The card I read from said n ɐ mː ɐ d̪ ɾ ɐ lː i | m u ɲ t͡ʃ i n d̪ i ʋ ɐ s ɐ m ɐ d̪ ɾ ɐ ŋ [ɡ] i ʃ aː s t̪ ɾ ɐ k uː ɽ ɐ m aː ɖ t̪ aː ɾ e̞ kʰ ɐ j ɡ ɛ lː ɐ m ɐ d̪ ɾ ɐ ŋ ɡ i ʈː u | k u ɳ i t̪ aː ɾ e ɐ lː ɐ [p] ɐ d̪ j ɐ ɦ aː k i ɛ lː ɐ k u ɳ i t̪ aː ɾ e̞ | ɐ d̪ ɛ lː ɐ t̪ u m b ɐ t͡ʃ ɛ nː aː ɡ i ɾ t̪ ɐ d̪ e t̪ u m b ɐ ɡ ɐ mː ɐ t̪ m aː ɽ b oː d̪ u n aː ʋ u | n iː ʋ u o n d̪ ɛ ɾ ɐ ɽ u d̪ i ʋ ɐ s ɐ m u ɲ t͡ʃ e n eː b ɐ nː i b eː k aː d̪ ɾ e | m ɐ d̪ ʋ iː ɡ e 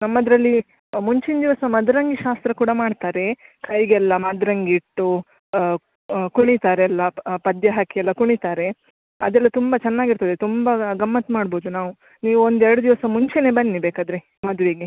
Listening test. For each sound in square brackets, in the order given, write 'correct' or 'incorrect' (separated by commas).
correct, correct